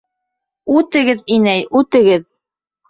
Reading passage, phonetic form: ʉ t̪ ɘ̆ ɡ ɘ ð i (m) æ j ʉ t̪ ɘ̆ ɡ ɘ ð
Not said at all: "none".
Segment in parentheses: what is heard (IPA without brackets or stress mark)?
n